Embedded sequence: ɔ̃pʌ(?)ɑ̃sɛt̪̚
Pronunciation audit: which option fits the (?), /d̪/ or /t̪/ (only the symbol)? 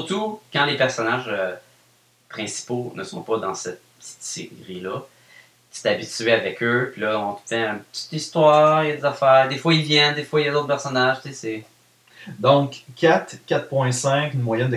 d̪